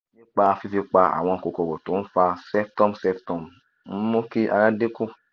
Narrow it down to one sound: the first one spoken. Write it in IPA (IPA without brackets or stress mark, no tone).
n